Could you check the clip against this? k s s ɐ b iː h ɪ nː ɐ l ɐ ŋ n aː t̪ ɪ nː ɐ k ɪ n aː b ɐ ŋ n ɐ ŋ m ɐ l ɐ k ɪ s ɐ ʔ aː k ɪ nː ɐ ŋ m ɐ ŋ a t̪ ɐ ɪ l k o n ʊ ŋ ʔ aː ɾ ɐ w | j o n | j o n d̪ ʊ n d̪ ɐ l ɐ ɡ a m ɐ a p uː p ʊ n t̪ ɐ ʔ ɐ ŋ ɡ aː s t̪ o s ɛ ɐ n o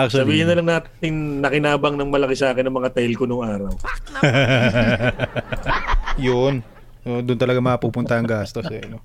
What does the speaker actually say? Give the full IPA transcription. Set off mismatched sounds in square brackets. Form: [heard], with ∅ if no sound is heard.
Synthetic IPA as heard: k s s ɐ b iː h ɪ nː ɐ l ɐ ŋ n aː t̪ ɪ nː ɐ k ɪ n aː b ɐ ŋ n ɐ ŋ m ɐ l ɐ k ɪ s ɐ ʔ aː k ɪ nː ɐ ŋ m ɐ ŋ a t̪ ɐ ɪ l k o n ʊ ŋ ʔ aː ɾ ɐ w | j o n | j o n d̪ ʊ n [t̪] ɐ l ɐ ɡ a m ɐ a p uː p ʊ n t̪ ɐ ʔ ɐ ŋ ɡ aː s t̪ o s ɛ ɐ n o